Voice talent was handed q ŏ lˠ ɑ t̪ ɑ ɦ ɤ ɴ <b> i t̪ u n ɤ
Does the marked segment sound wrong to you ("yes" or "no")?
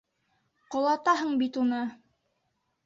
no